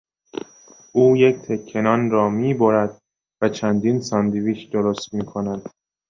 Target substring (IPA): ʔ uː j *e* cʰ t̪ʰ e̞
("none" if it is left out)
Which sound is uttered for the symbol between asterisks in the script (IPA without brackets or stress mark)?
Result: e